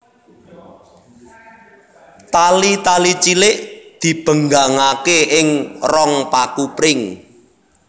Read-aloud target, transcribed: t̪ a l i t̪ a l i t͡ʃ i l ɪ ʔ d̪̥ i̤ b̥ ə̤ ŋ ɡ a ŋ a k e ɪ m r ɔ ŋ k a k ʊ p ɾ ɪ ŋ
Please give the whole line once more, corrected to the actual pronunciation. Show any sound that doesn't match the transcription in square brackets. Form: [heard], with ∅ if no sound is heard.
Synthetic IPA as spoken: t̪ a l i t̪ a l i t͡ʃ i l ɪ ʔ d̪̥ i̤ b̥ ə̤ ŋ ɡ a ŋ a k e ɪ [ŋ] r ɔ ŋ [p] a k [u] p ɾ ɪ ŋ